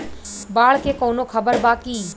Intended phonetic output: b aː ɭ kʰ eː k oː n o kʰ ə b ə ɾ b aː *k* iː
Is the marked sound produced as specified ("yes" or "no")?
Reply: yes